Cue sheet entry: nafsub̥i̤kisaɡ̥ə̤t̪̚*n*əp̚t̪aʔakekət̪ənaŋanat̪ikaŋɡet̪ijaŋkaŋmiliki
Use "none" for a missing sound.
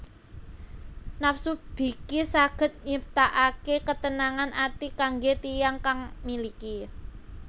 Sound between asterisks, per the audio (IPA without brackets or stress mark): ɲ